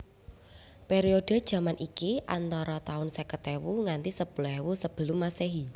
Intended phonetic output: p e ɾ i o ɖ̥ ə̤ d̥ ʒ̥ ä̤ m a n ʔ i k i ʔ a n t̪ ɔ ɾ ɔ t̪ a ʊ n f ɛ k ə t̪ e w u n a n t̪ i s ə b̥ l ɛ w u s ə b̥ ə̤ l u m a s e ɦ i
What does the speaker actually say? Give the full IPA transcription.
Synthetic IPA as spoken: p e ɾ i o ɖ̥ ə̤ d̥ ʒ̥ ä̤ m a n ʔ i k i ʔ a n t̪ ɔ ɾ ɔ t̪ a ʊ n s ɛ k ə t̪ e w u ŋ a n t̪ i s ə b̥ l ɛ w u s ə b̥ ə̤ l u m a s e ɦ i